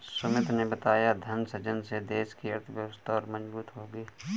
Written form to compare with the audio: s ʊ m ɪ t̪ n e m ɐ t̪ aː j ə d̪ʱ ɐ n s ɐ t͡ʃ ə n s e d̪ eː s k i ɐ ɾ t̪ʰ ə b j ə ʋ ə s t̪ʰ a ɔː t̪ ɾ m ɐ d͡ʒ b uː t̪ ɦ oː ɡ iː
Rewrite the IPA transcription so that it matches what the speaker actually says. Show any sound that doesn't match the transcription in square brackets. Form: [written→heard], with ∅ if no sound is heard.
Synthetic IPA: s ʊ m ɪ t̪ n e [m→b] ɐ t̪ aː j [ə→a] d̪ʱ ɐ n s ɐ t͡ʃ ə n s e d̪ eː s k i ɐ ɾ t̪ʰ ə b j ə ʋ ə s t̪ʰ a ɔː [t̪→∅] ɾ m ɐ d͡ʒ b uː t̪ ɦ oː ɡ iː

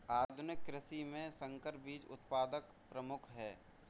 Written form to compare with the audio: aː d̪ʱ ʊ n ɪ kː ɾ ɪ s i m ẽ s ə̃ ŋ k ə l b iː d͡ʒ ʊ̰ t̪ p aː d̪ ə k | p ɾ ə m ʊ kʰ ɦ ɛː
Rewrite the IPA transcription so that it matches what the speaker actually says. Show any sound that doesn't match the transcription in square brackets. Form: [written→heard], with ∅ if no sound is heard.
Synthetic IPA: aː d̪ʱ ʊ n ɪ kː ɾ ɪ s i m ẽ s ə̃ ŋ k ə [l→ɾ] b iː d͡ʒ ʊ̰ t̪ p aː d̪ ə k | p ɾ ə m ʊ kʰ ɦ ɛː

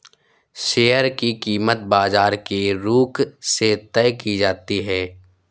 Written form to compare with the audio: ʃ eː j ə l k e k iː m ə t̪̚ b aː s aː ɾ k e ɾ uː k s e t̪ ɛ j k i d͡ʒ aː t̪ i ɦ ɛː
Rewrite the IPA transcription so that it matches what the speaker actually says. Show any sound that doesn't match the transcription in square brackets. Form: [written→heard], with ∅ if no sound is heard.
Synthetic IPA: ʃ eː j ə [l→ɾ] k [e→i] k iː m ə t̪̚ b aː [s→z] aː ɾ k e ɾ uː k s e t̪ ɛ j k i d͡ʒ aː t̪ i ɦ ɛː

